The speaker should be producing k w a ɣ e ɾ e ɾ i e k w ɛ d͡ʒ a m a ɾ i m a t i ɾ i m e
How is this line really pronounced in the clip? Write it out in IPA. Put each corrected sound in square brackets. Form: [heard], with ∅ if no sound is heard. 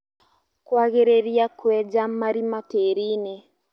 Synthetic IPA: k w a ɣ e ɾ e ɾ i [a] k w ɛ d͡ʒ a m a ɾ i m a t [e] ɾ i [n] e